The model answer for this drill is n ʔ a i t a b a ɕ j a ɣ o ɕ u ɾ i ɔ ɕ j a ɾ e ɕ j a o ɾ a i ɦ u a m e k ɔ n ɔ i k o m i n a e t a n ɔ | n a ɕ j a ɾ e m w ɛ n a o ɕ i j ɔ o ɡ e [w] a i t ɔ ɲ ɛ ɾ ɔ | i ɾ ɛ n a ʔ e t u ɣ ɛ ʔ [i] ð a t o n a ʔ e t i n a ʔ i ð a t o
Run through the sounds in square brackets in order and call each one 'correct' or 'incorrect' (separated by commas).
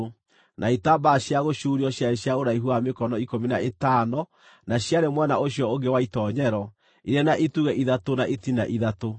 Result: correct, correct